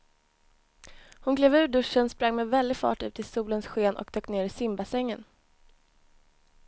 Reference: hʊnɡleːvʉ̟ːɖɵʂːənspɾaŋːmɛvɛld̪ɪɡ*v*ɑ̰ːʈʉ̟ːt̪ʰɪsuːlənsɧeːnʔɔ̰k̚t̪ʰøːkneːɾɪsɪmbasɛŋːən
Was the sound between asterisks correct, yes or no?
no